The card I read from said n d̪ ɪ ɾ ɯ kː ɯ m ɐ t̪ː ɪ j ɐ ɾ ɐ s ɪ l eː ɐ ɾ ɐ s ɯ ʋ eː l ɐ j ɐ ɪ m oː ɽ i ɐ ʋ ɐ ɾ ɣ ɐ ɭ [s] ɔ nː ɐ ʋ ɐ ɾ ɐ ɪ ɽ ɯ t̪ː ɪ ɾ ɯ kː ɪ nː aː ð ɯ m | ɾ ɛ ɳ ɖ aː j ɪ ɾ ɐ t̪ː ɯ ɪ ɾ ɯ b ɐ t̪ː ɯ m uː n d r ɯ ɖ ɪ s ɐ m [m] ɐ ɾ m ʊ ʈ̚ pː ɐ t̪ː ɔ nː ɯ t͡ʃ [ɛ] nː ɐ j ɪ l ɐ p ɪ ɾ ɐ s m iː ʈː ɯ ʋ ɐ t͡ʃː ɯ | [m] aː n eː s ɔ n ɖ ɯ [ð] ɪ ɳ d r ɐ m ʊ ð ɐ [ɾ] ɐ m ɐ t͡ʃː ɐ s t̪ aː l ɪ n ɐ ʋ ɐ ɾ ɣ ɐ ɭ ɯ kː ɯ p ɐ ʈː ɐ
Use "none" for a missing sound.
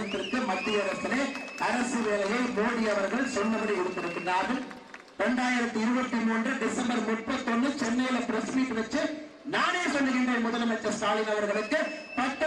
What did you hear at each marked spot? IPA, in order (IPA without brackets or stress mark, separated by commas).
s, b, ɛ, n, ɣ, l